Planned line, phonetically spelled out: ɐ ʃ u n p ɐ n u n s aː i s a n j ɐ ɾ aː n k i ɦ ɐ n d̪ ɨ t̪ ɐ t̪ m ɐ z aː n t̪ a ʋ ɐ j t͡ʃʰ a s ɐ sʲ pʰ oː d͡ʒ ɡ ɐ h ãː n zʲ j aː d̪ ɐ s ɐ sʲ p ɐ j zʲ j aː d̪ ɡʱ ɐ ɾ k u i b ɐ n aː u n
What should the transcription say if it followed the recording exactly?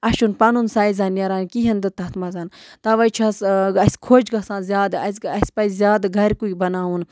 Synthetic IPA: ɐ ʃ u n p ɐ n u n s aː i z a n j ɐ ɾ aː n k i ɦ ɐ n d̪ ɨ t̪ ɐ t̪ m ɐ z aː n t̪ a ʋ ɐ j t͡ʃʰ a s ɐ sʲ kʰ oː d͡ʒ ɡ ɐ s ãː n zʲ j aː d̪ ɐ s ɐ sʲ p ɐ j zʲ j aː d̪ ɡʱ ɐ ɾ k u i b ɐ n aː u n

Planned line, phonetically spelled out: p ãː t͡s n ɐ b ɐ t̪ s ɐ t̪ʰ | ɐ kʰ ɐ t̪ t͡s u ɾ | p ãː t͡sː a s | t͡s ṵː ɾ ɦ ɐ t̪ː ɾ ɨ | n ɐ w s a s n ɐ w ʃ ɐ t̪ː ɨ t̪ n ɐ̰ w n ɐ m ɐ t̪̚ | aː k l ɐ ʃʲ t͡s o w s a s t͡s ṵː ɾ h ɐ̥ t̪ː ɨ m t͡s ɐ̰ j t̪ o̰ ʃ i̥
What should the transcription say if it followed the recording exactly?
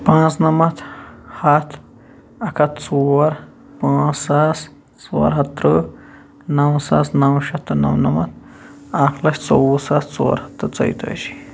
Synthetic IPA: p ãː t͡s n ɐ m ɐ t̪ h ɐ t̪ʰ | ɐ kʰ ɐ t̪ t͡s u ɾ | p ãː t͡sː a s | t͡s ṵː ɾ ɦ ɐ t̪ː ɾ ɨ | n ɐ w s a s n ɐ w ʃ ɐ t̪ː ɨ n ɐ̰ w n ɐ m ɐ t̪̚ | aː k l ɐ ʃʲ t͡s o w s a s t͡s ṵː ɾ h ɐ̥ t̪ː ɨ t͡s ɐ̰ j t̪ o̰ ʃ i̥

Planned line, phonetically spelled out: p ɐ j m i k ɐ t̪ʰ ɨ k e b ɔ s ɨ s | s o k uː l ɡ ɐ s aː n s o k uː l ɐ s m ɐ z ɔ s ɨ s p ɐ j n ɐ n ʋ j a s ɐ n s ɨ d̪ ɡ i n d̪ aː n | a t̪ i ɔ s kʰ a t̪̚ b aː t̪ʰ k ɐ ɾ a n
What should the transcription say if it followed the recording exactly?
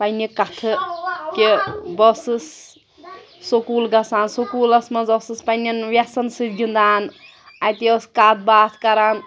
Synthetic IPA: p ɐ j n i k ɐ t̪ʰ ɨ k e b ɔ s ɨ s | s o k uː l ɡ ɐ s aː n s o k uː l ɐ s m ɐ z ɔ s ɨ s p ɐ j n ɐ n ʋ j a s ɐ n s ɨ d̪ ɡ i n d̪ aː n | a t̪ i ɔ s k a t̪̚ b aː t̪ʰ k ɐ ɾ a n

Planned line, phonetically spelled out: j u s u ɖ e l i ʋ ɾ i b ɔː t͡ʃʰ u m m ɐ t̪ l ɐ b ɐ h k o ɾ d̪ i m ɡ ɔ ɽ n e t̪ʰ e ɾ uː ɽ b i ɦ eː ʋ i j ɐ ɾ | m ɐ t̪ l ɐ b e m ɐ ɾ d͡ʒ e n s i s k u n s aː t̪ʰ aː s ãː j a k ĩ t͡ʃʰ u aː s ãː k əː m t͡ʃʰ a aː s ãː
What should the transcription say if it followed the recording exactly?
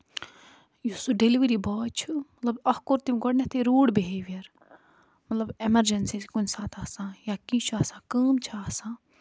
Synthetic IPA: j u s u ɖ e l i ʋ ɾ i b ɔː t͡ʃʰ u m m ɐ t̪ l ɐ b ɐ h k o ɾ t̪ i m ɡ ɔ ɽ n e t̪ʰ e ɾ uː ɽ b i ɦ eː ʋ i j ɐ ɾ | m ɐ t̪ l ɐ b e m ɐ ɾ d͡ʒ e n s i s k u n s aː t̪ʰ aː s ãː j a k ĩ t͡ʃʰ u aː s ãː k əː m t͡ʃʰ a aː s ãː

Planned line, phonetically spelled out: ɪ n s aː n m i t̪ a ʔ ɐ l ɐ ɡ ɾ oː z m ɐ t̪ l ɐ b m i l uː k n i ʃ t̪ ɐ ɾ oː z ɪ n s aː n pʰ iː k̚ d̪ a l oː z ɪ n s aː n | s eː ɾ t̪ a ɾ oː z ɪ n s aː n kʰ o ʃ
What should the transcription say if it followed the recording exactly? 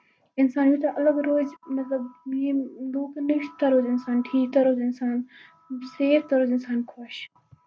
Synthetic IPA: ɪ n s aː n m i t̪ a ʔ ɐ l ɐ ɡ ɾ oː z m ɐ t̪ l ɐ b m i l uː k n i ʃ t̪ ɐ ɾ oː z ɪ n s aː n ʈʰ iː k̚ t̪ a ɾ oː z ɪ n s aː n | s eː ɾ t̪ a ɾ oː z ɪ n s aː n kʰ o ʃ

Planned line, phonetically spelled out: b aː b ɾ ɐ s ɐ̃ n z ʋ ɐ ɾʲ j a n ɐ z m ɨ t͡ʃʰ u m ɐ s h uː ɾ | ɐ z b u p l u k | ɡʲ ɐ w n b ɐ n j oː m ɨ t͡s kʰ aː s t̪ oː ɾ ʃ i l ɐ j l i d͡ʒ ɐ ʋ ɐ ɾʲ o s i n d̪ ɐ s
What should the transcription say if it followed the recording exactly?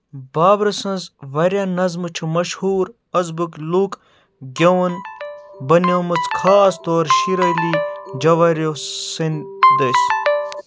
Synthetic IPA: b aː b ɾ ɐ s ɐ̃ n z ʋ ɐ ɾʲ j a n ɐ z m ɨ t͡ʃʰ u m ɐ ʃ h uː ɾ | ɐ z b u k l u k | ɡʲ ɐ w n b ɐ n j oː m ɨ t͡s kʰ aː s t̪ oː ɾ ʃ i ɾ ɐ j l i d͡ʒ ɐ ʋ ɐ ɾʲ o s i n d̪ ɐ s

